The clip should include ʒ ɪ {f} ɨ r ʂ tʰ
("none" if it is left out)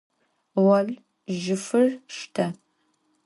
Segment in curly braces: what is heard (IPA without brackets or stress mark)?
f